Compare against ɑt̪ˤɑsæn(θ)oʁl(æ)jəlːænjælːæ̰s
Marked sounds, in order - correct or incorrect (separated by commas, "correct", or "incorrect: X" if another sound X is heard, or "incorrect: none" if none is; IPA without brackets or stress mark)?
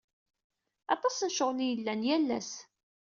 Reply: incorrect: ʃ, incorrect: i